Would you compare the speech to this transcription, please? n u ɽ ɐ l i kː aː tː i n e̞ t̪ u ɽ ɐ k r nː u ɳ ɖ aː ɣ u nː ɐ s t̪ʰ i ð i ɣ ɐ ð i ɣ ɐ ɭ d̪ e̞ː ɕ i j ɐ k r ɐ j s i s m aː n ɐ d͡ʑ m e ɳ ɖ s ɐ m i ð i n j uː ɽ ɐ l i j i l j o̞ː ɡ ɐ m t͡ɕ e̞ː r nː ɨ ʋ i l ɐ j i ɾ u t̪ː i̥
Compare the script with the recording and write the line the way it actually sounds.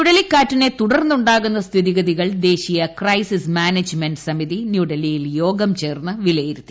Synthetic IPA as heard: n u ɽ ɐ l i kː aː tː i n e̞ t̪ u ɽ ɐ r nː u ɳ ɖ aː ɣ u nː ɐ s t̪ʰ i ð i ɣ ɐ ð i ɣ ɐ ɭ d̪ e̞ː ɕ i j ɐ k r ɐ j s i s m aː n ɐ d͡ʑ m e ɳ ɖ s ɐ m i ð i n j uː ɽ ɐ l i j i l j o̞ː ɡ ɐ m t͡ɕ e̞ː r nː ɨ ʋ i l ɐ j i ɾ u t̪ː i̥